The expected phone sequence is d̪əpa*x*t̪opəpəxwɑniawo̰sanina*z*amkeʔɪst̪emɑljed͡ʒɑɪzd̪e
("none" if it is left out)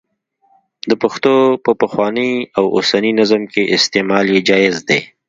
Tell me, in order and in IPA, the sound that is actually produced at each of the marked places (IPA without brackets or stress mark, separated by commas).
x, z